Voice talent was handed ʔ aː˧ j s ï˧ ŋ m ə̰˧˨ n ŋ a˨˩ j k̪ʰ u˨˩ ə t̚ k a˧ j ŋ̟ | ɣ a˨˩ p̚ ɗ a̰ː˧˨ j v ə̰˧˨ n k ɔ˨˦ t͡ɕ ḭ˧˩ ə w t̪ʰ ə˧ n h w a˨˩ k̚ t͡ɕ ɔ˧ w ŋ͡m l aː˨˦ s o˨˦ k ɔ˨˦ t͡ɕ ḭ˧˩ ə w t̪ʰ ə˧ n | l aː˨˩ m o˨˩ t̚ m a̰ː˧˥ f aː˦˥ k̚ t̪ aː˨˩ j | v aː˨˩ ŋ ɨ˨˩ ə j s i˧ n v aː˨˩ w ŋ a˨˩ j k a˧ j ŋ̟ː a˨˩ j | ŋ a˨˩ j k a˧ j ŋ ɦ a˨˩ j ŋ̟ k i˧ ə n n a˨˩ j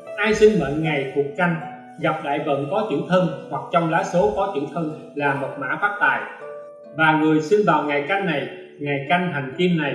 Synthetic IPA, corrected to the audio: ʔ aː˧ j s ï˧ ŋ m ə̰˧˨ n ŋ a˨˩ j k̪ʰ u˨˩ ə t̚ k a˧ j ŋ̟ | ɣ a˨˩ p̚ ɗ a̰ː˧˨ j v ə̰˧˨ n k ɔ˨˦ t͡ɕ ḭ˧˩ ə w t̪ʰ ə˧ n h w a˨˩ k̚ t͡ɕ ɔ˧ w ŋ͡m l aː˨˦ s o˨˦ k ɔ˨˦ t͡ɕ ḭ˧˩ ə w t̪ʰ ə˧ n | l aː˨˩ m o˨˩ t̚ m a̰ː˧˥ f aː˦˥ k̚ t̪ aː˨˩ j | v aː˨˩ ŋ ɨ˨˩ ə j s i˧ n v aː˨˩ w ŋ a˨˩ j k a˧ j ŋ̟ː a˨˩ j | ŋ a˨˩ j k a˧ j ŋ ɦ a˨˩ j ŋ̟ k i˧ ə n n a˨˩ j